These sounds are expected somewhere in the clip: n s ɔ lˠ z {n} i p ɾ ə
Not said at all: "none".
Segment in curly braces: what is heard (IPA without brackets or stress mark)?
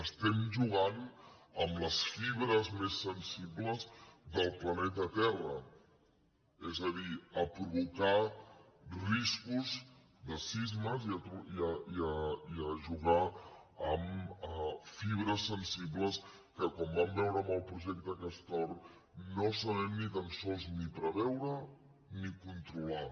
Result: n